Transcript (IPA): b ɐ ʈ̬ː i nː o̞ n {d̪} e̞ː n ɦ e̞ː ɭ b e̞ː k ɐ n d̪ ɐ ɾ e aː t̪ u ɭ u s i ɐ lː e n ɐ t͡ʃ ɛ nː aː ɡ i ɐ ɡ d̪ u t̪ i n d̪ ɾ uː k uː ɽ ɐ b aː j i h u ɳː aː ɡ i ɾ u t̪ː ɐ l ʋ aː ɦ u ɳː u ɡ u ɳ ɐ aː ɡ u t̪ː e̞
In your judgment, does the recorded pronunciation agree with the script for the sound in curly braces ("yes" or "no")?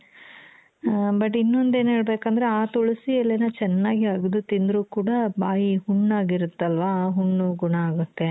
yes